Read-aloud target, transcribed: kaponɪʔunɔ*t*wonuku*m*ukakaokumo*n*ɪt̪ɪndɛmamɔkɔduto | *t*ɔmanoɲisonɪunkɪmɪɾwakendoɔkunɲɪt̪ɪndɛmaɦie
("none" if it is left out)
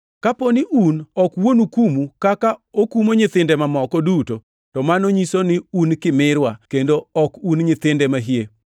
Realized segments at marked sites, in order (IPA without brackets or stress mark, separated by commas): k, m, ɲ, t